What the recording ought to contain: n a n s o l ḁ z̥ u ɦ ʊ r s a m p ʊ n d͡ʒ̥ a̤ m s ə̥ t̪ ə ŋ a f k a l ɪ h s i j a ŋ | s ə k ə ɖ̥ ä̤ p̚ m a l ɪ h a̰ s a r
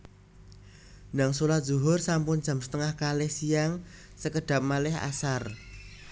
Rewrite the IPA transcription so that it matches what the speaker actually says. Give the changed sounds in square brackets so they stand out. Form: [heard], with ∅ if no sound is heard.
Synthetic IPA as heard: n a [ŋ] s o l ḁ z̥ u ɦ ʊ r s a m p ʊ n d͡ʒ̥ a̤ m s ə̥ t̪ ə ŋ a [h] k a l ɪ h s i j a ŋ | s ə k ə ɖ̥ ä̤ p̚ m a l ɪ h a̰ s a r